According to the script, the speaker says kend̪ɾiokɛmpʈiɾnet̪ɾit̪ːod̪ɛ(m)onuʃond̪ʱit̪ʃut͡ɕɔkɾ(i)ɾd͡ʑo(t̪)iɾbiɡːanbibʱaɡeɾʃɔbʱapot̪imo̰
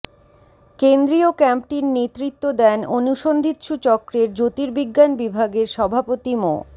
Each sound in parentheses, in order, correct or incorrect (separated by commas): incorrect, incorrect, correct